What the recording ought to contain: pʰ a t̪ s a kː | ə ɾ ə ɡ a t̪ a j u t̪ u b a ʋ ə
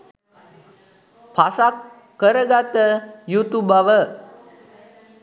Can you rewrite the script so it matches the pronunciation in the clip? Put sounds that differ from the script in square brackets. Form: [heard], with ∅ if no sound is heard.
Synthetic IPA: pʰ a [∅] s a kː | ə ɾ ə ɡ a t̪ [ə] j u t̪ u b a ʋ ə